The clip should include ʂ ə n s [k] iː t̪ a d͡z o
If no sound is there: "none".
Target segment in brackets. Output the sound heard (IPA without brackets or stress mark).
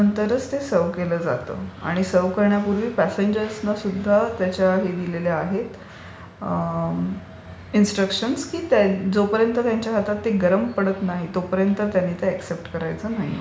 k